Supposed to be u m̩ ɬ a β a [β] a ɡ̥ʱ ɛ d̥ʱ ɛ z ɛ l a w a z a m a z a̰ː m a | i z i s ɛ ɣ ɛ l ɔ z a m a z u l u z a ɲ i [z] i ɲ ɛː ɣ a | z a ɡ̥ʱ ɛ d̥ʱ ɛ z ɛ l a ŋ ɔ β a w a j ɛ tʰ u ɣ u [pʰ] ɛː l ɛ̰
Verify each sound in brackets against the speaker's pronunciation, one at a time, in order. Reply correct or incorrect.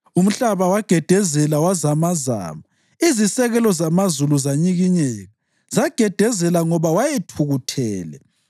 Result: incorrect, incorrect, incorrect

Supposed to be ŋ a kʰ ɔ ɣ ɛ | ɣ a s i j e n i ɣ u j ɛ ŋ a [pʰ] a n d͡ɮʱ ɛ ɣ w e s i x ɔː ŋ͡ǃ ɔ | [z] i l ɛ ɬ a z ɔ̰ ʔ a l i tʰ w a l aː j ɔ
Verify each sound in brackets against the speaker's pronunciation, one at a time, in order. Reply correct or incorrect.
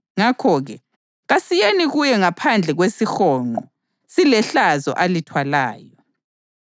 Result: correct, incorrect

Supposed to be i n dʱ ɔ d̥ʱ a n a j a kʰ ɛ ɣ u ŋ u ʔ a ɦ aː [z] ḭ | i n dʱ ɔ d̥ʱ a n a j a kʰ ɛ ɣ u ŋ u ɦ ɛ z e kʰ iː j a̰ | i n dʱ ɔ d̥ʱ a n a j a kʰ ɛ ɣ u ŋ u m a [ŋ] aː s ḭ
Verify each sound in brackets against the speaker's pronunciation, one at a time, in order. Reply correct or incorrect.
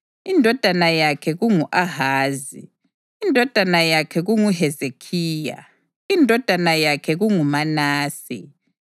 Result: correct, incorrect

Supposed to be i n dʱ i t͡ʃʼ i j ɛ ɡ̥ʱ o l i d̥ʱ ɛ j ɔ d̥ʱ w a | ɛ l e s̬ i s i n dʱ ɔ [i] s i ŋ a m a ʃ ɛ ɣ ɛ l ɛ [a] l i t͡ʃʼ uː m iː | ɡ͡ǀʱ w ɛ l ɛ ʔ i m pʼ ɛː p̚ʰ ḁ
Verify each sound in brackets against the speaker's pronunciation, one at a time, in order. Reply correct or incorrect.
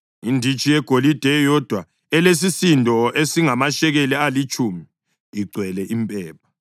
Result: incorrect, correct

